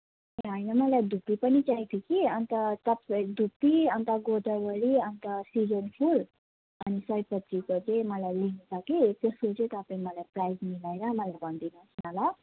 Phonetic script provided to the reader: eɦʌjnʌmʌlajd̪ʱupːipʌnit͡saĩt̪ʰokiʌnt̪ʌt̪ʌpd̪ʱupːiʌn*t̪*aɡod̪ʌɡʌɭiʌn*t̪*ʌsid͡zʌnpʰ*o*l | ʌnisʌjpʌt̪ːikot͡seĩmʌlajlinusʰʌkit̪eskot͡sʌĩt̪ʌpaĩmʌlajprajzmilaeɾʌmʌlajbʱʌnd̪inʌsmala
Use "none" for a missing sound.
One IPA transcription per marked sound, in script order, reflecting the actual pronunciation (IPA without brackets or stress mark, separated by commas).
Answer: t̪, t̪, u